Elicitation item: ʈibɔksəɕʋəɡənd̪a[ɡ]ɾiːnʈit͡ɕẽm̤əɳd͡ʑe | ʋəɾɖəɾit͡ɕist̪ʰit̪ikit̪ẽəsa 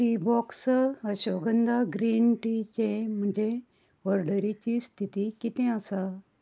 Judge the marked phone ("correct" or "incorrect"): correct